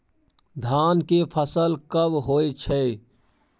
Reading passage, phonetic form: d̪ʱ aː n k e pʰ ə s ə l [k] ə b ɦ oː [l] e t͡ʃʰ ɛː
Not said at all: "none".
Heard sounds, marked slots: k, none

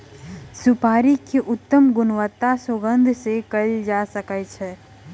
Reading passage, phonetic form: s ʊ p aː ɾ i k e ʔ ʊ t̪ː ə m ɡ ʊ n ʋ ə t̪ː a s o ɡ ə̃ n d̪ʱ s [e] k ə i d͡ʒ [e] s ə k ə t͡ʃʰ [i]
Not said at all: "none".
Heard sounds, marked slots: e, a, ɛ

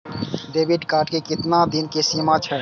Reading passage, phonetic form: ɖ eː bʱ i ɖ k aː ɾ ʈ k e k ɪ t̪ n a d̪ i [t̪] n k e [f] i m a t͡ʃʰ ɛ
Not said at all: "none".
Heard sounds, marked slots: none, s

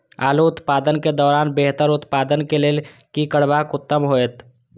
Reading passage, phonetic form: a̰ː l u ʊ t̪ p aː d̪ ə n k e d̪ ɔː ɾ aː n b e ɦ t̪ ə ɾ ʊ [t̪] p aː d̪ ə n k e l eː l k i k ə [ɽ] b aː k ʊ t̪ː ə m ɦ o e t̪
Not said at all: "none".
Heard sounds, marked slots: t̪, ɽ

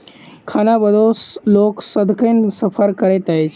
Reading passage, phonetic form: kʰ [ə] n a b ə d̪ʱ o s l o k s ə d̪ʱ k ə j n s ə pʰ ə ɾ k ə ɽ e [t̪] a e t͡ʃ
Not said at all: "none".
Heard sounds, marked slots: a, t̪

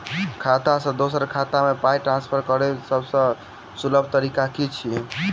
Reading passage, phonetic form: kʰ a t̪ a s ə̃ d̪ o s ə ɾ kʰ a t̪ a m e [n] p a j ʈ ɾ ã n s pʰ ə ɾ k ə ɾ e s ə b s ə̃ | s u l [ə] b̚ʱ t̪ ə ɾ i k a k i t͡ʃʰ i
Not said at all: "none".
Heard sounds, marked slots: none, ə

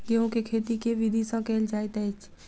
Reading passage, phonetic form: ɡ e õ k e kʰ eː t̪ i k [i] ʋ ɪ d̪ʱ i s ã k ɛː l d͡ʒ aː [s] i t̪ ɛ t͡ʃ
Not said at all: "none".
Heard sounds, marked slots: e, none

